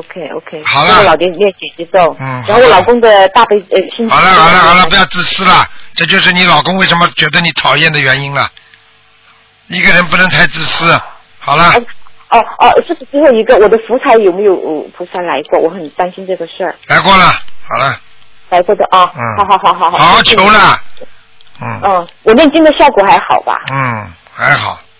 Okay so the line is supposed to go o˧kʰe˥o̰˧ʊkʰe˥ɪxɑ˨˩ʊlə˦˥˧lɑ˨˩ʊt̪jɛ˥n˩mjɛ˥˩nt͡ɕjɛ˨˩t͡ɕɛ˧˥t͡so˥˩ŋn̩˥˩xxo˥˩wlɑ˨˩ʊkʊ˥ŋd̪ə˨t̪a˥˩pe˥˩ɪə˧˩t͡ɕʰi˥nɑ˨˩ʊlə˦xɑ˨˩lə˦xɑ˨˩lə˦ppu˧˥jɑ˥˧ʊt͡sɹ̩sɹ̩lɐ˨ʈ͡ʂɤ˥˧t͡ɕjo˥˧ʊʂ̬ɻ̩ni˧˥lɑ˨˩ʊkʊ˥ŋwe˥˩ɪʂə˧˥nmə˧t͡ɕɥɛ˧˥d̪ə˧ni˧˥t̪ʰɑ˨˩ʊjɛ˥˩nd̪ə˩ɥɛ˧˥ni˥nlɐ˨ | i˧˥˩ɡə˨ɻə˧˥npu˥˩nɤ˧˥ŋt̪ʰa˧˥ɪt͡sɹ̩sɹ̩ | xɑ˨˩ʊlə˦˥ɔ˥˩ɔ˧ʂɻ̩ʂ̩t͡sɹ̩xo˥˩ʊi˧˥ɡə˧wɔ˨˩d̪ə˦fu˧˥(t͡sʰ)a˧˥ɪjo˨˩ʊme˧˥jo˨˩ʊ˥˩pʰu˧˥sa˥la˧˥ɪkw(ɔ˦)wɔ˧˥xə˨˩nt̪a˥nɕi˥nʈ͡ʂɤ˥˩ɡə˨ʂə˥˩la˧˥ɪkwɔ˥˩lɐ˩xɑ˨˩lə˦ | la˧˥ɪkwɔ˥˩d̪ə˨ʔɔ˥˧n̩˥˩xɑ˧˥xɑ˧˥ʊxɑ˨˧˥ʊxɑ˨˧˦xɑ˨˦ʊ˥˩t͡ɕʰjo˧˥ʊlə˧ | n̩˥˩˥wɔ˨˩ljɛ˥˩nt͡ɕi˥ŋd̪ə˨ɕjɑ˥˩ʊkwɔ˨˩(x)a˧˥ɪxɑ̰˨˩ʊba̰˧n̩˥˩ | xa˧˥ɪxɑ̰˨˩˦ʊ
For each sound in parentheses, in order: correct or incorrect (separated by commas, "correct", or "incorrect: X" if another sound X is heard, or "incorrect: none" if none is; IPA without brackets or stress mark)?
correct, incorrect: ɔ˥˩, correct